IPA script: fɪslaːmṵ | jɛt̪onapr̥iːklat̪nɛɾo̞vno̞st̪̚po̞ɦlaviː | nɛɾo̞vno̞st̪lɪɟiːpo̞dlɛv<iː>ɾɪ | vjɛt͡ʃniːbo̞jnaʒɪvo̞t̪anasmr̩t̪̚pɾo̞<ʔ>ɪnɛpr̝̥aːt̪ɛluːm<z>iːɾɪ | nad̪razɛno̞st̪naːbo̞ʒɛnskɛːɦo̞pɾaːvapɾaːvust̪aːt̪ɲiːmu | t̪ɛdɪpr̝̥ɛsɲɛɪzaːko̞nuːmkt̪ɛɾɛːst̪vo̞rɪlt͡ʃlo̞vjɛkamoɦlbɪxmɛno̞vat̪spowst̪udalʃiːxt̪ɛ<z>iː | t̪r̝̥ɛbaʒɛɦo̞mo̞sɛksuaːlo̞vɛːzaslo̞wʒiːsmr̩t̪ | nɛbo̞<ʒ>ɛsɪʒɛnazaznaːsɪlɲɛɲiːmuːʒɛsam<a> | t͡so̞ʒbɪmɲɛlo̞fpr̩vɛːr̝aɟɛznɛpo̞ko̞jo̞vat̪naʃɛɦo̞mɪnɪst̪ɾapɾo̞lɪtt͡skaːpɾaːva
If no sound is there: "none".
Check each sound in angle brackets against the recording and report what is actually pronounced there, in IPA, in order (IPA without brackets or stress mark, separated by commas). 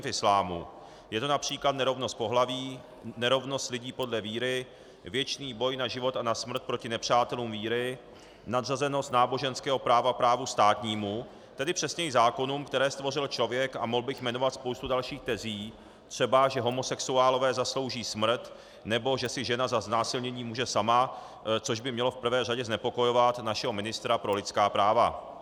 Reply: iː, c, v, z, ʒ, a